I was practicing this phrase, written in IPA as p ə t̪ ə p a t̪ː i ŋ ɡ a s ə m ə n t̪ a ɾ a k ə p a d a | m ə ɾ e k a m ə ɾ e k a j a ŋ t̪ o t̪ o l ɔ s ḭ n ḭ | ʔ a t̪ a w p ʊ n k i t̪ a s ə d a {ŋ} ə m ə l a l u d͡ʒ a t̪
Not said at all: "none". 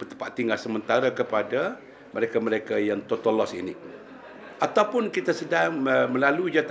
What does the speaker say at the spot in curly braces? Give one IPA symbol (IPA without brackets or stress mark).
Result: ŋ